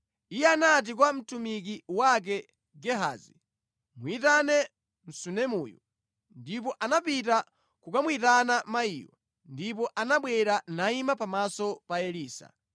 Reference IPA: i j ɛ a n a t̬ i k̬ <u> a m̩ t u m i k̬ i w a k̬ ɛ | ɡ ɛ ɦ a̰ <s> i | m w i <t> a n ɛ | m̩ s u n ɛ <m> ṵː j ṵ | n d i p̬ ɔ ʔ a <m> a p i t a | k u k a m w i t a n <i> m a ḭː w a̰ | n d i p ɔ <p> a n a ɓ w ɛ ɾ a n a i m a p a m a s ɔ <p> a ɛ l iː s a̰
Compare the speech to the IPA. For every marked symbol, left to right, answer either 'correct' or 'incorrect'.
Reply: incorrect, incorrect, correct, correct, incorrect, incorrect, incorrect, correct

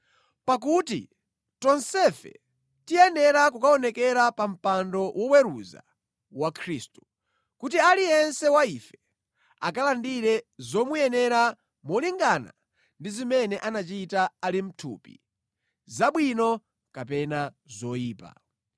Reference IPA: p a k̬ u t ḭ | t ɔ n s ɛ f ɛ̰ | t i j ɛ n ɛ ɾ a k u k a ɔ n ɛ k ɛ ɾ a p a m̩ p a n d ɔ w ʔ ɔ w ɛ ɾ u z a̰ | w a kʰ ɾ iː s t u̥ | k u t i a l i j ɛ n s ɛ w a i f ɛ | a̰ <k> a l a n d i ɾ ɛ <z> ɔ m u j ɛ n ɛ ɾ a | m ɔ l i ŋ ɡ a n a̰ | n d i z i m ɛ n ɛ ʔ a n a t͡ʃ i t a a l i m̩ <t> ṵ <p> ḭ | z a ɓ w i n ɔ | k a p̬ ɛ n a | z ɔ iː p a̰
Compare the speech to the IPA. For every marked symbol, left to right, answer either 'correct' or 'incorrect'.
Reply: correct, correct, incorrect, correct

